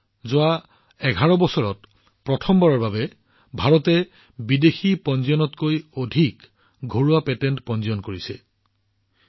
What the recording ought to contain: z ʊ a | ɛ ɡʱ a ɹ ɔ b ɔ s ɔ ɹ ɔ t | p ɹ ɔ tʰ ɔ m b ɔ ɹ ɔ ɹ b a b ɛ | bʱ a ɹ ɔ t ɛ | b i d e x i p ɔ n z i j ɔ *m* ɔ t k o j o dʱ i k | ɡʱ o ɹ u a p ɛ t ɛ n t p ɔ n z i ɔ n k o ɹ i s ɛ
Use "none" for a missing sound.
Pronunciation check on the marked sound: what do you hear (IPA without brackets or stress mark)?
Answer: n